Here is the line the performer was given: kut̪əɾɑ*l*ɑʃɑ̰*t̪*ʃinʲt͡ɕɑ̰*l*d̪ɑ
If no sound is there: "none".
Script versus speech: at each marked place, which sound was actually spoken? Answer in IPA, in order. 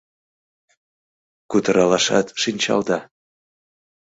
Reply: l, t̪, l

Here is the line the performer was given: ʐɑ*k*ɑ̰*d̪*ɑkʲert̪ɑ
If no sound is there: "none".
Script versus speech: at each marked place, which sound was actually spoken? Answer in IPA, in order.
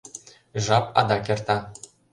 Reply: p, d̪

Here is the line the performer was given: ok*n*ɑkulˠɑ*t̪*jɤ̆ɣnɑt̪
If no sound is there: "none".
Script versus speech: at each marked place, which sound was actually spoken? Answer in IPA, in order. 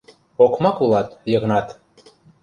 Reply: m, t̪

